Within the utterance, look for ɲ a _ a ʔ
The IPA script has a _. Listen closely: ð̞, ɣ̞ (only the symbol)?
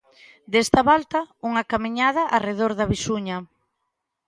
ð̞